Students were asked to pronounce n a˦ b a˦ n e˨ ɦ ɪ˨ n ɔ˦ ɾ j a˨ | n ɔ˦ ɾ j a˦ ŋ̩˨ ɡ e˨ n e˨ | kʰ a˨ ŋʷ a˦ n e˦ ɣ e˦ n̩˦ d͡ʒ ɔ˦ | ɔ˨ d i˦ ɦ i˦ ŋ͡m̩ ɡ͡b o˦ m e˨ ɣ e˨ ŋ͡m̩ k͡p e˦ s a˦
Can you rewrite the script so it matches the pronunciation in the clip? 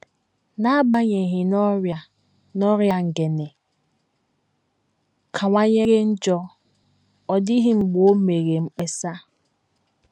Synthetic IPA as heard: n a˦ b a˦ ɲ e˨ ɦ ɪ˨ n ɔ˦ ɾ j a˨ | n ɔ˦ ɾ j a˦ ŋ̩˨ ɡ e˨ n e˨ | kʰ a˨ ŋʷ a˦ ɲ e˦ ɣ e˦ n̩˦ d͡ʒ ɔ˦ | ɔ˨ d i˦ ɦ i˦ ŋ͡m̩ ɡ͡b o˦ m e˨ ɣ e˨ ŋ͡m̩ k͡p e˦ s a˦